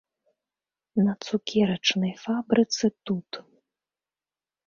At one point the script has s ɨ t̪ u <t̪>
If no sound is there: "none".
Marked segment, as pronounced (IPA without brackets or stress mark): t̪